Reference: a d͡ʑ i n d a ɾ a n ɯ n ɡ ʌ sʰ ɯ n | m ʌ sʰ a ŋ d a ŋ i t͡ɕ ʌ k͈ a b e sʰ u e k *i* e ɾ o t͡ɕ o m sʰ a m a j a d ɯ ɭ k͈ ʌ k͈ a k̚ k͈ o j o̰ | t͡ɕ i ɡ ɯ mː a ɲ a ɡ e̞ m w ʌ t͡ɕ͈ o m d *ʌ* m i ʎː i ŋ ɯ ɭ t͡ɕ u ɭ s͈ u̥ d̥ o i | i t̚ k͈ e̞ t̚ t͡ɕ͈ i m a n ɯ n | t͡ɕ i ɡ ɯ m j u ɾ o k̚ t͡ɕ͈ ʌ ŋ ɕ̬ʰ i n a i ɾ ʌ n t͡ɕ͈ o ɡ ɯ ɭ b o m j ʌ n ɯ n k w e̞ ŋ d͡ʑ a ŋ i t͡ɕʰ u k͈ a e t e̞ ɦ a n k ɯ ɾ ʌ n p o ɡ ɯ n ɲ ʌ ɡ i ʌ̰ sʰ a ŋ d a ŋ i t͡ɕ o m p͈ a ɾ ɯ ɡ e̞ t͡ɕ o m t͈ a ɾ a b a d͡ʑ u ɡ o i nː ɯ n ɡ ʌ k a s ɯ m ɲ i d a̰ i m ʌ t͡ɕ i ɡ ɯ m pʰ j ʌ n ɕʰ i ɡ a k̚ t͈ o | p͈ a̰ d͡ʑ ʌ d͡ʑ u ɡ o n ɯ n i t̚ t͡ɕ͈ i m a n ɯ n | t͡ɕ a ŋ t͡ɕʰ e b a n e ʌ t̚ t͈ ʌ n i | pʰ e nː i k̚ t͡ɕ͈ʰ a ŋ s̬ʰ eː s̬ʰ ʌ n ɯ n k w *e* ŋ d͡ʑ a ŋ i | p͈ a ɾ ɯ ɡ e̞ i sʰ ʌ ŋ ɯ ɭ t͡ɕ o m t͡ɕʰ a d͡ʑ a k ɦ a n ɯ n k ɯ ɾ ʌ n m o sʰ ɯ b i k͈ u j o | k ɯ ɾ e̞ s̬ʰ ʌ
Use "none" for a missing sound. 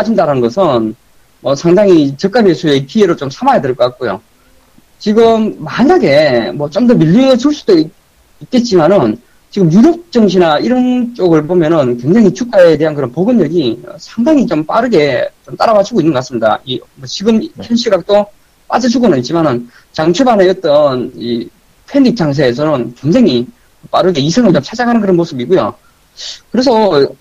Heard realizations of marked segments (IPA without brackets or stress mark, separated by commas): i, ʌ, e